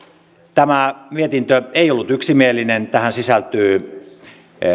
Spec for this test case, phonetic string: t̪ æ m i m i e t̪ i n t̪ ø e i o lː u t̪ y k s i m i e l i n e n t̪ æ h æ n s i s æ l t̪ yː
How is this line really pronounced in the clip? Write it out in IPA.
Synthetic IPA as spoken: t̪ æ m æ m i e t̪ i n t̪ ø e i o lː u t̪ y k s i m i e l i n e n t̪ æ h æ n s i s æ l t̪ yː